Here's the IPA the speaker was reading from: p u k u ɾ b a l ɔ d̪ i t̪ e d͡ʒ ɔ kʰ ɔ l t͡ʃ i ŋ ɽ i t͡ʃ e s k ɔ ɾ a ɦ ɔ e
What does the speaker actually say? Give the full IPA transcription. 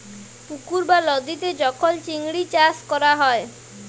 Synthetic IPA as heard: p u k u ɾ b a l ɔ d̪ i t̪ e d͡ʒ ɔ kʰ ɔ l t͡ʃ i ŋ ɽ i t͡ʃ a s k ɔ ɾ a ɦ ɔ e